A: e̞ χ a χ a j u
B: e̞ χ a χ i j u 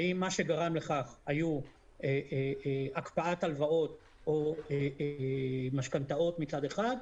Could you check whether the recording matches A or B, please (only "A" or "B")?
A